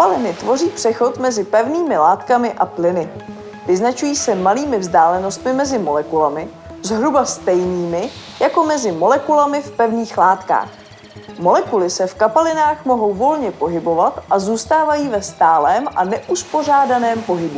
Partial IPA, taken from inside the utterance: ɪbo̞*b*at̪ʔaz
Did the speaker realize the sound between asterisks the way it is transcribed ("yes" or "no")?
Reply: no